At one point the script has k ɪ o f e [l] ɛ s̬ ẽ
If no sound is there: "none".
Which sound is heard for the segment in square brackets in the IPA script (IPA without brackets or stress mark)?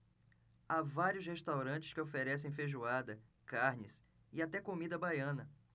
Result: ɾ